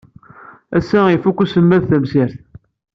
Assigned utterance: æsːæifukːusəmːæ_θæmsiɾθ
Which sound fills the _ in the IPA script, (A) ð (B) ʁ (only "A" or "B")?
A